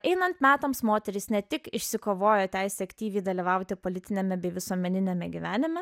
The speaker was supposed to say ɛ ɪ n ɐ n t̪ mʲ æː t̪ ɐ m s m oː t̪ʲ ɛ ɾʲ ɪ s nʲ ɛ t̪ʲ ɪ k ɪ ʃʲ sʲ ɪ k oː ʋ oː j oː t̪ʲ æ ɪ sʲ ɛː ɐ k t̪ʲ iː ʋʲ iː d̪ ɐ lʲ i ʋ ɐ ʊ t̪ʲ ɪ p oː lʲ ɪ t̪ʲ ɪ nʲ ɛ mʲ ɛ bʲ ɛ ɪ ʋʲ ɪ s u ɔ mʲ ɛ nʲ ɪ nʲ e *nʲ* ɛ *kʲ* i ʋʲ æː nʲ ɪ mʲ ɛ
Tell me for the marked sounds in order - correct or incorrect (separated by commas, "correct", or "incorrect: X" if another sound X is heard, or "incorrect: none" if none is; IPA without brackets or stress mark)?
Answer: incorrect: mʲ, incorrect: ɡʲ